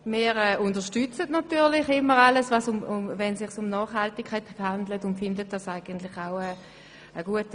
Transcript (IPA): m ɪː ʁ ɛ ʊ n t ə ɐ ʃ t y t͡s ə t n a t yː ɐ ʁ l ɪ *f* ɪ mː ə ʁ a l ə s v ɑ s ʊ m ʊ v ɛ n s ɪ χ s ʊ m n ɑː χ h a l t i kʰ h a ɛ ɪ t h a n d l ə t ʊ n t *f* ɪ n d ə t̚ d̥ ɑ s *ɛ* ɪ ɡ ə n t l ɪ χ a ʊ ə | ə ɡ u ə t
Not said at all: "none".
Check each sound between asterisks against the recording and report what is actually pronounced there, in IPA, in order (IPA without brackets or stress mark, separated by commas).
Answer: χ, f, a